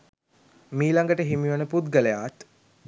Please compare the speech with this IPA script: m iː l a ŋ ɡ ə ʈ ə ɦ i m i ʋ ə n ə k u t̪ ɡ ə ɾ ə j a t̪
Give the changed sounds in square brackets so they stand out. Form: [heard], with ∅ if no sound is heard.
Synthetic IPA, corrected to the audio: m iː l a ŋ ɡ ə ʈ ə ɦ i m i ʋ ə n ə [p] u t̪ ɡ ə [l] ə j a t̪